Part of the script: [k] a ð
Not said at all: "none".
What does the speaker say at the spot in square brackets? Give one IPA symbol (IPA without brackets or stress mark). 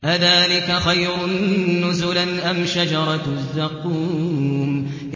ʔ